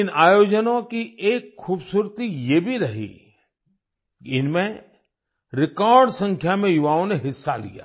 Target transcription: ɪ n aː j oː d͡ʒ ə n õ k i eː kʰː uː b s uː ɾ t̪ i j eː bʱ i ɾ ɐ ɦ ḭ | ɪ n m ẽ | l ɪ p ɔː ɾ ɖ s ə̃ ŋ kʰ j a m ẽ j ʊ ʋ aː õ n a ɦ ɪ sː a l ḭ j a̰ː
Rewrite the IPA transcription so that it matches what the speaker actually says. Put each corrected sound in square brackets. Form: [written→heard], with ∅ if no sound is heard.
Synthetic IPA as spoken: ɪ n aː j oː d͡ʒ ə n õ k i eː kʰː uː b s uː ɾ t̪ i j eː bʱ i ɾ ɐ ɦ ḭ | ɪ n m ẽ | [l→ɾ] ɪ [p→k] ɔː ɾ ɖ s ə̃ ŋ kʰ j a m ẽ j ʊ ʋ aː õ n [a→e] ɦ ɪ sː a l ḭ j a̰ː